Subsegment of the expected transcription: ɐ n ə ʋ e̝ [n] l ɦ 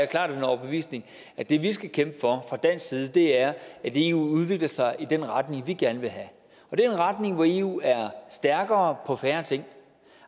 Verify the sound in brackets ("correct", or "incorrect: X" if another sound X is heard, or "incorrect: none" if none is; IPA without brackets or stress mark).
incorrect: none